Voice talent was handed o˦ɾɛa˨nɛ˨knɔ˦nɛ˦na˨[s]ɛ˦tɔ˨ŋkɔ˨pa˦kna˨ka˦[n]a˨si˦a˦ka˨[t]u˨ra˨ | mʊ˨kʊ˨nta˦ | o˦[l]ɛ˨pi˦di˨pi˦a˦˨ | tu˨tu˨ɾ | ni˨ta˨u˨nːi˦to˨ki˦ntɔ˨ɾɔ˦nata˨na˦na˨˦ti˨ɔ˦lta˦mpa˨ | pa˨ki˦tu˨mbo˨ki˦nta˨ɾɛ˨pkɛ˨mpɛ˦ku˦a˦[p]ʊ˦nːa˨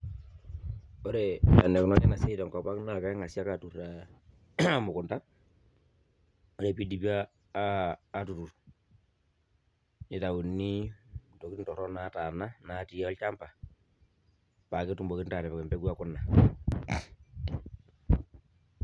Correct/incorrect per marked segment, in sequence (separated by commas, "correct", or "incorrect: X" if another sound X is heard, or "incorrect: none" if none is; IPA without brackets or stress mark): correct, incorrect: ŋ, correct, incorrect: ɾ, incorrect: k